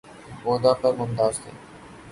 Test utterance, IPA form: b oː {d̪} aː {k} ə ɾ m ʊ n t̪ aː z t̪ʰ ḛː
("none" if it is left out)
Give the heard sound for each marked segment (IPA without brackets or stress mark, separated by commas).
d̪, p